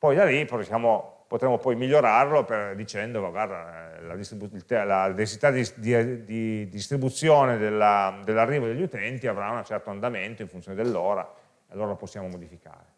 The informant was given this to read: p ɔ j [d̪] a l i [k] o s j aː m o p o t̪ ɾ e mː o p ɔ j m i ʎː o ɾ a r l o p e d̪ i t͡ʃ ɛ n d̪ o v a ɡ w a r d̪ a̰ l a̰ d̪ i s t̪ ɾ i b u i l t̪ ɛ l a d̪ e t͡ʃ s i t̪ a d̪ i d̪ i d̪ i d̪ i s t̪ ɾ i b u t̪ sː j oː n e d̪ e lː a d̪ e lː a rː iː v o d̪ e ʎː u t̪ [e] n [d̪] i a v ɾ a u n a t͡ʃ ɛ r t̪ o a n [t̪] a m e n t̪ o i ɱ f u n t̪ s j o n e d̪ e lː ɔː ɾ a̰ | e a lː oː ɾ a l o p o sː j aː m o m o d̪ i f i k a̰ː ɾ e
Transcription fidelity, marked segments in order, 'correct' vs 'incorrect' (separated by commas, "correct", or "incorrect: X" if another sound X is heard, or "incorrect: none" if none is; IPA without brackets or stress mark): correct, incorrect: p, incorrect: ɛ, incorrect: t̪, incorrect: d̪